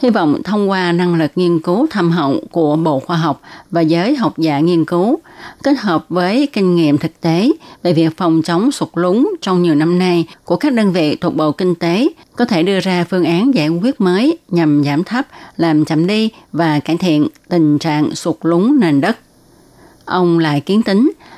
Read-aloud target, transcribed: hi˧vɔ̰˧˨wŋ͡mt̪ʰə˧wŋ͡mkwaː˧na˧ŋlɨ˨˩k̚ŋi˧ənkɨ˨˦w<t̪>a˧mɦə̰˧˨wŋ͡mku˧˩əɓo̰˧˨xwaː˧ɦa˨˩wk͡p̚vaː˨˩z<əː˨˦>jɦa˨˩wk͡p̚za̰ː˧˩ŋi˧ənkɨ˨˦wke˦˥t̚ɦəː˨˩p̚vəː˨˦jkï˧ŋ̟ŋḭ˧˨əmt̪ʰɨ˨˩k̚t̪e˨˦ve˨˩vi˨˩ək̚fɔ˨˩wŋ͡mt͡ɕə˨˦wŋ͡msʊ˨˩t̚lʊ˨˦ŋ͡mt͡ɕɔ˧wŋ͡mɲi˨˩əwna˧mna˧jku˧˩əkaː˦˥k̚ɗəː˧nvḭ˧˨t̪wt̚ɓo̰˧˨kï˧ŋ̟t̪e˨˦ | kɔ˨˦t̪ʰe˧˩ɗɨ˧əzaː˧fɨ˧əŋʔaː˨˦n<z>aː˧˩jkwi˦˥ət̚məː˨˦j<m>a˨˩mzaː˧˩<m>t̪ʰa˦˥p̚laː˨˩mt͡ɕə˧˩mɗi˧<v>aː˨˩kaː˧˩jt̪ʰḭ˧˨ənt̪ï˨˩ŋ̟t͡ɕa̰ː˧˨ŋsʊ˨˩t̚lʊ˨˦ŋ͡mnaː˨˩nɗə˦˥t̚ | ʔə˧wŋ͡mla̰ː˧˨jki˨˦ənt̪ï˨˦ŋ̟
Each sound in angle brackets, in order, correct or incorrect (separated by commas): incorrect, correct, correct, incorrect, correct, correct